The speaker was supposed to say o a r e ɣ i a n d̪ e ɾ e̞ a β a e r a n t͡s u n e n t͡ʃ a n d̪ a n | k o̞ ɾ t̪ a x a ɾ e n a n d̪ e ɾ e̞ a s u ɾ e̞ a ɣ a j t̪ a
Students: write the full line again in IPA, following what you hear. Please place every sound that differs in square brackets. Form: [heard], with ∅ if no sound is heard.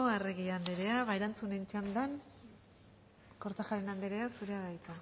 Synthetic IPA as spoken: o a r e ɣ i a n d̪ e ɾ e̞ a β a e [ɾ] a n t͡s u n e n t͡ʃ a n d̪ a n | k o̞ ɾ t̪ a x a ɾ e n a n d̪ e ɾ e̞ a s u ɾ e̞ a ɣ a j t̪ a